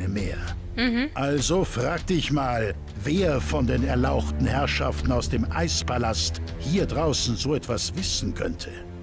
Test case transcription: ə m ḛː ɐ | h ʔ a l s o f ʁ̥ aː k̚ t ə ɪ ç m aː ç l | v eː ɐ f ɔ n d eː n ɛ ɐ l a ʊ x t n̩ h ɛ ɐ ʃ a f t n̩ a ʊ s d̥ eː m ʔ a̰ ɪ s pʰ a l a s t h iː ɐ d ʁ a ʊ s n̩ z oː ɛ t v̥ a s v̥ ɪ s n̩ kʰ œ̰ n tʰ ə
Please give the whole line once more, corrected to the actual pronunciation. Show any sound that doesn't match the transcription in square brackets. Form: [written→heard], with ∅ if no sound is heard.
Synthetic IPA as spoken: ə m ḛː ɐ | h ʔ a l [s→z] o f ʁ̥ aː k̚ t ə ɪ ç m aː [ç→∅] l | v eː ɐ f ɔ n d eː n ɛ ɐ l a ʊ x t n̩ h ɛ ɐ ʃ a f t n̩ a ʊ s d̥ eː m ʔ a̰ ɪ s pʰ a l a s t h iː ɐ d ʁ a ʊ s n̩ z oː ɛ t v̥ a s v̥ ɪ s n̩ kʰ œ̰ n tʰ ə

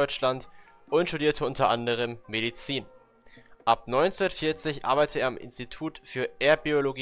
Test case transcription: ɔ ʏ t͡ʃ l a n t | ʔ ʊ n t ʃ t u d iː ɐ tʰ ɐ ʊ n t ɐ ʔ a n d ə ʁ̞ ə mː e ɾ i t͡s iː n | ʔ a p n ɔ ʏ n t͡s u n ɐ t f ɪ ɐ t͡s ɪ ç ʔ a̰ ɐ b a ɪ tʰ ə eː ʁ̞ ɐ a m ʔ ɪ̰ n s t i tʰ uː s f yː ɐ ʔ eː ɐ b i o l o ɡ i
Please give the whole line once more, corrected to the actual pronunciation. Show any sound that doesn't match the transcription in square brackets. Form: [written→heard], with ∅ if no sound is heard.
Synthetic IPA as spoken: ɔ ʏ t͡ʃ l a n t | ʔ ʊ n t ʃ t u d iː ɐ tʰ [ɐ→ə] ʊ n t ɐ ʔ a n d ə ʁ̞ ə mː e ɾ i t͡s iː n | ʔ a p n ɔ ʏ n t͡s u n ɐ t f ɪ ɐ t͡s ɪ ç ʔ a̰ ɐ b a ɪ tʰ ə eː [ʁ̞→∅] ɐ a m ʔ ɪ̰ n s t i tʰ uː [s→t] f yː ɐ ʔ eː ɐ b i o l o ɡ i

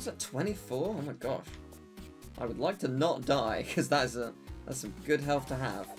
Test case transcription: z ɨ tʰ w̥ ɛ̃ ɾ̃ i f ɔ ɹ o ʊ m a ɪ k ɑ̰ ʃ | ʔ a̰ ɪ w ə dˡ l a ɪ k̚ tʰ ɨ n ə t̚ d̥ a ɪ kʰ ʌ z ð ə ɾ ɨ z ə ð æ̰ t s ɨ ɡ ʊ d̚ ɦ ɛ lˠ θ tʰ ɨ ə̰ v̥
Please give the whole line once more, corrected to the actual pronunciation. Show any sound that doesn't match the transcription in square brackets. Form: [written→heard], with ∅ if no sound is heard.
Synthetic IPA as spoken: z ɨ tʰ w̥ ɛ̃ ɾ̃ i f ɔ ɹ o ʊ m a ɪ [k→ɡ] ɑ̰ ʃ | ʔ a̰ ɪ w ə dˡ l a ɪ k̚ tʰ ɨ n ə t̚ d̥ a ɪ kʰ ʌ z ð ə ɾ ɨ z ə ð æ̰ t s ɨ ɡ ʊ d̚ ɦ ɛ lˠ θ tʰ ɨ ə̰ v̥

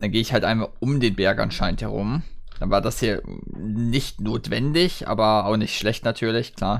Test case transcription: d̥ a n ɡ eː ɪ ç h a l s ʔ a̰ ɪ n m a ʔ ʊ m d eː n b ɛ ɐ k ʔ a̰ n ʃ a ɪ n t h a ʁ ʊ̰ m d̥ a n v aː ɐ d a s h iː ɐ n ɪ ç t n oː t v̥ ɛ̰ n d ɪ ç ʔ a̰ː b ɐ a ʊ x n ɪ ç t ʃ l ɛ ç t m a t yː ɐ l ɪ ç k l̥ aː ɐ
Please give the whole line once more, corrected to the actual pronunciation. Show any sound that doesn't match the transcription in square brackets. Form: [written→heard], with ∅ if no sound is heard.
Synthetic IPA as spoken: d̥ a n ɡ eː ɪ ç h a l [s→t] ʔ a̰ ɪ n m a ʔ ʊ m d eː n b ɛ ɐ k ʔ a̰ n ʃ a ɪ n t h [a→ɛ] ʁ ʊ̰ m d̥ a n v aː ɐ d a s h iː ɐ n ɪ ç t n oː t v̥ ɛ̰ n d ɪ ç ʔ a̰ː b ɐ a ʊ x n ɪ ç t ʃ l ɛ ç t [m→n] a [t→tʰ] yː ɐ l ɪ ç k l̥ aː ɐ

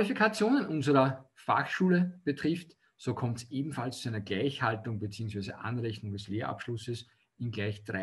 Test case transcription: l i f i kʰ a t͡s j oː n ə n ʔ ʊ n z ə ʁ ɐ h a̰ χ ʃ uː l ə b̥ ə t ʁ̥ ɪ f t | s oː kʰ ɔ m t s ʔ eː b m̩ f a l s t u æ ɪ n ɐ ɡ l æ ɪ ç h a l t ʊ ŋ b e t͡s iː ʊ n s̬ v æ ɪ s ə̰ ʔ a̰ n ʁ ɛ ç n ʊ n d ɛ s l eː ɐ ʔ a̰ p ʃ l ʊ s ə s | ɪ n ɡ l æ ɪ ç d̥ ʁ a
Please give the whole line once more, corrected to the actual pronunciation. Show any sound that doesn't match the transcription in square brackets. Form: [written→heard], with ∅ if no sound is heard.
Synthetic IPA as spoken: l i f i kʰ a t͡s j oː n ə n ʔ ʊ n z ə ʁ ɐ [h→f] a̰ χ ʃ uː l ə b̥ ə t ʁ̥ ɪ f t | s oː kʰ ɔ m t s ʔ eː b m̩ f a l s [t→t͡s] u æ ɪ n ɐ ɡ l æ ɪ ç h a l t ʊ ŋ b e t͡s iː ʊ [n→ŋ] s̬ v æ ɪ [s→z] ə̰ ʔ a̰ n ʁ ɛ ç n ʊ [n→ŋ] d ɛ s l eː ɐ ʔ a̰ p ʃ l ʊ s ə s | ɪ n ɡ l æ ɪ ç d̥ ʁ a

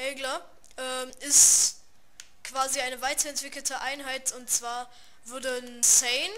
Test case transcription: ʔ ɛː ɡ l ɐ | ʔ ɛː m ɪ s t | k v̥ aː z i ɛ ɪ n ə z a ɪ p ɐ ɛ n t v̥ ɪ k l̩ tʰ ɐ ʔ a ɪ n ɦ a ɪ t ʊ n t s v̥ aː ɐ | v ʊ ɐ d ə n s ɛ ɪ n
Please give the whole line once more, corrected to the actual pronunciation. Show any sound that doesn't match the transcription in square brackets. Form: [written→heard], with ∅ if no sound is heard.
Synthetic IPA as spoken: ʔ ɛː ɡ l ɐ | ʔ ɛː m ɪ s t | k v̥ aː z i [ɛ→a] ɪ n ə [z→v] a ɪ [p→t] ɐ ɛ n t v̥ ɪ k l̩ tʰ [ɐ→ə] ʔ a ɪ n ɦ a ɪ t ʊ n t [s→t͡s] v̥ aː ɐ | v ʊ ɐ d ə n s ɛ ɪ n

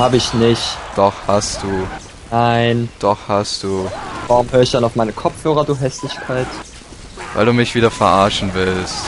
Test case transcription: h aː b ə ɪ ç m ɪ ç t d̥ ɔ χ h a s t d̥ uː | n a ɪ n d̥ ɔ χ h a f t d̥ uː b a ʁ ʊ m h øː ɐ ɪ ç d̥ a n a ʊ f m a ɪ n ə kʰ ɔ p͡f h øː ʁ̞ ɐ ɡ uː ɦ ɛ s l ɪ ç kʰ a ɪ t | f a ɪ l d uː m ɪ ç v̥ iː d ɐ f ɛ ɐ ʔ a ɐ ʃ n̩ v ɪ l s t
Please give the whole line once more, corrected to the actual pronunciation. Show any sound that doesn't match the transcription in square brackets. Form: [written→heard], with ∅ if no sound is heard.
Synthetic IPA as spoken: h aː b ə ɪ ç [m→n] ɪ ç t d̥ ɔ χ h a s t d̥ uː | n a ɪ n d̥ ɔ χ h a [f→s] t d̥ uː [b→v] a ʁ ʊ m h øː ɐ ɪ ç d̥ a n a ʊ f m a ɪ n ə kʰ ɔ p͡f h øː ʁ̞ ɐ [ɡ→d] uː ɦ ɛ s l ɪ ç kʰ a ɪ t | [f→v] a ɪ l d uː m ɪ ç v̥ iː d ɐ f ɛ ɐ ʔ a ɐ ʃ n̩ v ɪ l s t

